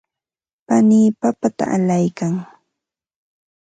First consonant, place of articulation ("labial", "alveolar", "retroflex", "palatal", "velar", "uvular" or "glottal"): labial